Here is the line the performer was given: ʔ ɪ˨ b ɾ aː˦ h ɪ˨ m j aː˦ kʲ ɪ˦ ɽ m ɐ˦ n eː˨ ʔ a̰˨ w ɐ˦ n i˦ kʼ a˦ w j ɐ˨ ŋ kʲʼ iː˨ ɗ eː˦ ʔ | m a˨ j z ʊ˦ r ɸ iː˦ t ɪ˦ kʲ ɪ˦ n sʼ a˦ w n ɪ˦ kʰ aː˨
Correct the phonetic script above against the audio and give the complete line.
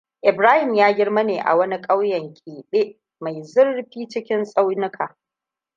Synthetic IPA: ʔ ɪ˨ b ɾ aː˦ h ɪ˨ m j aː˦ ɡʲ ɪ˦ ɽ m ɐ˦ n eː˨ ʔ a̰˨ w ɐ˦ n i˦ kʼ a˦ w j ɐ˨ ŋ kʲʼ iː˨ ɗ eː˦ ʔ | m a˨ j z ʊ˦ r ɸ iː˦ t͡ʃ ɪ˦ kʲ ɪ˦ n sʼ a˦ w n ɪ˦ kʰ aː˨